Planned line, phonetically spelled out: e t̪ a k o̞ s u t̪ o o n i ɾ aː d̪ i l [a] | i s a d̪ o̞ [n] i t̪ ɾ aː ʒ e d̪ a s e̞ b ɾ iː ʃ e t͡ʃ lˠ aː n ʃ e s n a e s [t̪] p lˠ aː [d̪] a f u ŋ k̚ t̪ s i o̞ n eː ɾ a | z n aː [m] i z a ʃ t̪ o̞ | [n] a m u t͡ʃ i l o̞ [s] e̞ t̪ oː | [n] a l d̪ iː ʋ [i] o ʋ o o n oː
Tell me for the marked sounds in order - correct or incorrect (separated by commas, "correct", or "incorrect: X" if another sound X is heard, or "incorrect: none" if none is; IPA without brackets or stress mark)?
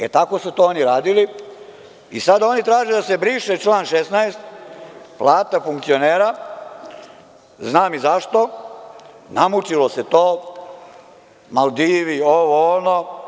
incorrect: i, correct, correct, incorrect: t̪, correct, correct, correct, incorrect: m, correct